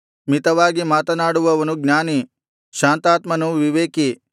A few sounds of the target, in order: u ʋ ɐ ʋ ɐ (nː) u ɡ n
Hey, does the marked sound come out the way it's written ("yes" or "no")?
no